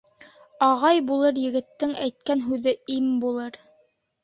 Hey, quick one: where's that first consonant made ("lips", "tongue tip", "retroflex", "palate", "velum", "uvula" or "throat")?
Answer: uvula